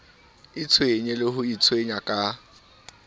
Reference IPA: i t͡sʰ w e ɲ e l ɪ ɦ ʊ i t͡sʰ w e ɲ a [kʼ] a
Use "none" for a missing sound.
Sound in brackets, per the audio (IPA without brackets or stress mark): kʼ